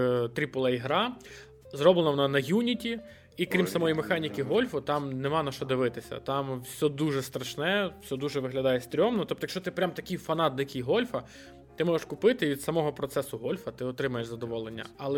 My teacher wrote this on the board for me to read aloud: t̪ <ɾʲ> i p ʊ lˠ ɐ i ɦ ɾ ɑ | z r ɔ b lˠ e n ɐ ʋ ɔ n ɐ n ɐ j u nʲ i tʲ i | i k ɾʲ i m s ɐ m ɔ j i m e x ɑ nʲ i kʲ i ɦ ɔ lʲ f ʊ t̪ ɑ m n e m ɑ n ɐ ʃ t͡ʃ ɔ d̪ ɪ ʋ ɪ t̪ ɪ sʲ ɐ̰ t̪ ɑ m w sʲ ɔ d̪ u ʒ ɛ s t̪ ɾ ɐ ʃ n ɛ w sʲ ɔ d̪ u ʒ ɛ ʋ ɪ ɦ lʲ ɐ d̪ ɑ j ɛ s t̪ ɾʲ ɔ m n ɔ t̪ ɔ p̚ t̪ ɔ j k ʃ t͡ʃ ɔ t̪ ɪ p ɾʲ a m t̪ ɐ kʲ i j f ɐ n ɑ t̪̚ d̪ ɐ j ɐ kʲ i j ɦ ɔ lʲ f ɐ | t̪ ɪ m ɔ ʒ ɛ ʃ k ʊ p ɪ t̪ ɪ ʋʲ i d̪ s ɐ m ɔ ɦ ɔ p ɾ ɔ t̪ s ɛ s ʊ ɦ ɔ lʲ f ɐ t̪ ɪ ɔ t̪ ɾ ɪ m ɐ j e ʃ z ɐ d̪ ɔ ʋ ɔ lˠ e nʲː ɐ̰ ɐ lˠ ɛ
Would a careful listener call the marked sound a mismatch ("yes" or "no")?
no